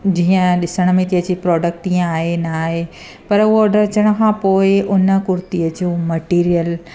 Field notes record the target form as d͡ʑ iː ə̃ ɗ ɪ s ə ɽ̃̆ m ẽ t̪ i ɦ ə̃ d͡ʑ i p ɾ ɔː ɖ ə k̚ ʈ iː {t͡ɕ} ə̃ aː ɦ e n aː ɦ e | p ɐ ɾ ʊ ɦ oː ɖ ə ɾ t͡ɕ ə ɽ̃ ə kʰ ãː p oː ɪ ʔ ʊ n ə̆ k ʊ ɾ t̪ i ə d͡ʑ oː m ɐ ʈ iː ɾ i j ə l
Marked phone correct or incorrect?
incorrect